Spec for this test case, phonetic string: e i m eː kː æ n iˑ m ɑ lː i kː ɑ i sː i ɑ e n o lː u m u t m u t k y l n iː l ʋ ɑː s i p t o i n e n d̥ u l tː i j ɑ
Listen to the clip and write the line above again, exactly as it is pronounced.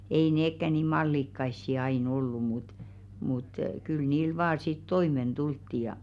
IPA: e i n eː kː æ n iˑ m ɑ lː i kː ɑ i sː i ɑ i n o lː u m u t m u t k y l n iː l ʋ ɑː s i t t o i m e n d̥ u l tː i j ɑ